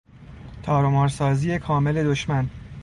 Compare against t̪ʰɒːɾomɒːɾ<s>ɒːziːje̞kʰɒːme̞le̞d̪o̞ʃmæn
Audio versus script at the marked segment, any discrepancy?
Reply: no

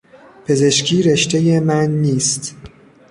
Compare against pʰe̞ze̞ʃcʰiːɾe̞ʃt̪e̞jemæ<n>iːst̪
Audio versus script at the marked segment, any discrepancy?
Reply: yes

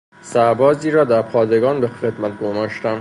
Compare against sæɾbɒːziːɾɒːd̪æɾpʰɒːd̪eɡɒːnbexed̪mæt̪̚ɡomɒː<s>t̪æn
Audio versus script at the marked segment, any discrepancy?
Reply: yes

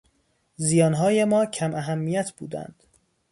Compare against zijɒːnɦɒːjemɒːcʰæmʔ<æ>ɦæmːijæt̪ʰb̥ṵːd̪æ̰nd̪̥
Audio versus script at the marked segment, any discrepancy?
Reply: no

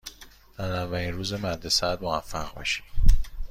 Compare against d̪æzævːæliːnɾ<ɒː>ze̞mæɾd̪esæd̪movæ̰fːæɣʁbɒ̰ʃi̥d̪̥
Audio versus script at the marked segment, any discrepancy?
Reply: yes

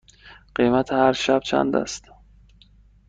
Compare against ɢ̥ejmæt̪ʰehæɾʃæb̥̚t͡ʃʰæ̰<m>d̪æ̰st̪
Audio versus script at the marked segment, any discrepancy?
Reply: yes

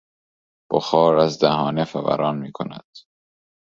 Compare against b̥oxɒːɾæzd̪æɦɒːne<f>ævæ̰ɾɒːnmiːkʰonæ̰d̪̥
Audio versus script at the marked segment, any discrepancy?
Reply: no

